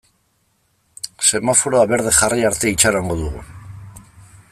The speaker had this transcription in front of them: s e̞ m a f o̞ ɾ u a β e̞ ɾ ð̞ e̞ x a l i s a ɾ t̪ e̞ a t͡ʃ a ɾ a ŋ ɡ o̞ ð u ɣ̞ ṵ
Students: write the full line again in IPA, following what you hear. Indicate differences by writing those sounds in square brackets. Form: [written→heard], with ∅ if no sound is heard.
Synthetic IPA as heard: s e̞ m a f o̞ ɾ [u→o] a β e̞ ɾ ð̞ e̞ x a [l→r] i [s→∅] a ɾ t̪ e̞ [a→i] t͡ʃ a ɾ a ŋ ɡ o̞ ð u ɣ̞ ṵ